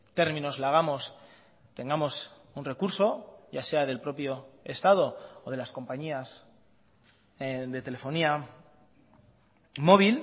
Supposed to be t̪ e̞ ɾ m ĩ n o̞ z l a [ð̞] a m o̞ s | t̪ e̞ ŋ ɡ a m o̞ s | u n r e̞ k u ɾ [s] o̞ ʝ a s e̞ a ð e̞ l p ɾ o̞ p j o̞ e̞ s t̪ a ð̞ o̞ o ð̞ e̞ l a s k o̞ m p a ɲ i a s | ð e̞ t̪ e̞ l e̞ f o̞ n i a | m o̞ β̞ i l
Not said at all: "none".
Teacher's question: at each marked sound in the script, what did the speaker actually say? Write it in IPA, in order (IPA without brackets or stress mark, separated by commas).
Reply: ɣ̞, s